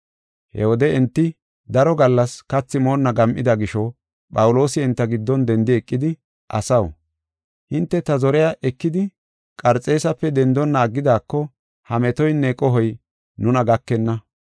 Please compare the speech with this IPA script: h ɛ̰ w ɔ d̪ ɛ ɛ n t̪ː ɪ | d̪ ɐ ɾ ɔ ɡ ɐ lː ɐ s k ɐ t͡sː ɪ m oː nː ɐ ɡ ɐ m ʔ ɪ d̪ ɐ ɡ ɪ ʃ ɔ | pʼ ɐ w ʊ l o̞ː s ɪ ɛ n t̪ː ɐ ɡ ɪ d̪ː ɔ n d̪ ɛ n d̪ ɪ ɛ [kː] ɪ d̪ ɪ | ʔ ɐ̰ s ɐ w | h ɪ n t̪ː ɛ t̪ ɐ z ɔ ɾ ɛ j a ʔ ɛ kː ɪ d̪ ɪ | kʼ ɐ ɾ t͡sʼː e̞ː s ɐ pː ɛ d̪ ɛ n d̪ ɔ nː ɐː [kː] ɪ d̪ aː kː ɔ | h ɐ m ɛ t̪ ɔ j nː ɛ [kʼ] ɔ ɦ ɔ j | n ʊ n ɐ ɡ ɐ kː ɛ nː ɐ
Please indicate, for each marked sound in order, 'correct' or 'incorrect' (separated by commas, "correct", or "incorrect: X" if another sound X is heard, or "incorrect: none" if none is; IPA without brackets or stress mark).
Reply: incorrect: kʼː, incorrect: ɡː, correct